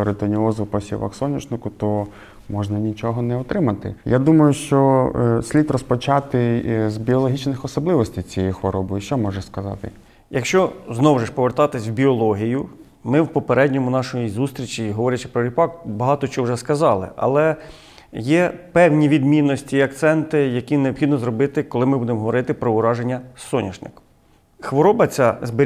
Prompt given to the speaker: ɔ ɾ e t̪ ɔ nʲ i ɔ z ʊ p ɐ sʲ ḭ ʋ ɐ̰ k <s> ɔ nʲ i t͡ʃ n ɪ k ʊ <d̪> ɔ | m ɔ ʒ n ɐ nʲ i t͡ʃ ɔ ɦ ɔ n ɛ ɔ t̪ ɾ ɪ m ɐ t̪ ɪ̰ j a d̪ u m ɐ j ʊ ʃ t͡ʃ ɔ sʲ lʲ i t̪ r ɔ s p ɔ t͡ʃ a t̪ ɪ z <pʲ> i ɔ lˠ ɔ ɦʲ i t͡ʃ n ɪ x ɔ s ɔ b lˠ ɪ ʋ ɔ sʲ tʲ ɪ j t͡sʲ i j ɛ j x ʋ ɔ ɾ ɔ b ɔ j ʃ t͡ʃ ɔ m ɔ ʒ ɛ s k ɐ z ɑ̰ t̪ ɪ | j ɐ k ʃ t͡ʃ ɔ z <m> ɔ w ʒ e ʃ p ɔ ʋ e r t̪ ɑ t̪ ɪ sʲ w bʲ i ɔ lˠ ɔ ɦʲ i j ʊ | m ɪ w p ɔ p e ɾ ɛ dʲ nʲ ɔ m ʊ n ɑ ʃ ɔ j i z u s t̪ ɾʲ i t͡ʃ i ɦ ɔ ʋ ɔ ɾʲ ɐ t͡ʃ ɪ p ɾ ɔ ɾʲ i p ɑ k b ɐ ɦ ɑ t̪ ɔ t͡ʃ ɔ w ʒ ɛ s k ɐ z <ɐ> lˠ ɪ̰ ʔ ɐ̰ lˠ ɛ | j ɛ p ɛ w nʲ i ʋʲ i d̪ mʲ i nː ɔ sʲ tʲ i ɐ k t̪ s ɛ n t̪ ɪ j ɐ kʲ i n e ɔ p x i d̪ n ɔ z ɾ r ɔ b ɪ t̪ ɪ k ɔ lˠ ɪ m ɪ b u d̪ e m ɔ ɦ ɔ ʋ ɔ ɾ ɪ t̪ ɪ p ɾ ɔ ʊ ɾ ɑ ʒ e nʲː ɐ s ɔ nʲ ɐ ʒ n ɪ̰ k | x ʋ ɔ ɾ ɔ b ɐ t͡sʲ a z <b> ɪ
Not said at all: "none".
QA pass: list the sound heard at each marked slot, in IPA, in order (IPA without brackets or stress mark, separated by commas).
s, t̪, bʲ, n, ɑ, b